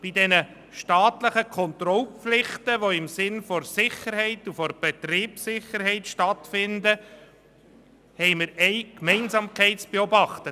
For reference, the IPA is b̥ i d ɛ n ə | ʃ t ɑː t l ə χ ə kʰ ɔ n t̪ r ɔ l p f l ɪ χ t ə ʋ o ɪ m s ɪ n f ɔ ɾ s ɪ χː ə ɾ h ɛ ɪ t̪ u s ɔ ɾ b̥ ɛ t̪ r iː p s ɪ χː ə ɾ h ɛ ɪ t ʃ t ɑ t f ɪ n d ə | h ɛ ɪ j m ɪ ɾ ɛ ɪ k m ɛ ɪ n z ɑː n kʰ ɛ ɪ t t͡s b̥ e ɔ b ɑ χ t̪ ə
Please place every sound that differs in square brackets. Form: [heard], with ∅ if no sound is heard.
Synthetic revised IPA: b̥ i d ɛ n ə | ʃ t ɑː t l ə χ ə kʰ ɔ n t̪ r ɔ l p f l ɪ χ t ə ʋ o ɪ m s ɪ n f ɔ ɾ s ɪ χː ə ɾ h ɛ ɪ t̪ u [f] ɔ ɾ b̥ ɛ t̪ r iː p s ɪ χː ə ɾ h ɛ ɪ t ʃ t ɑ t f ɪ n d ə | h ɛ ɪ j m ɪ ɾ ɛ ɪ k m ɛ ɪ n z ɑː [m] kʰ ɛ ɪ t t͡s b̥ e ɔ b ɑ χ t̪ ə